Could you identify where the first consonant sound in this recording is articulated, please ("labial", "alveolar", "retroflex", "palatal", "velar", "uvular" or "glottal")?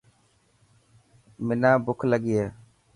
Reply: labial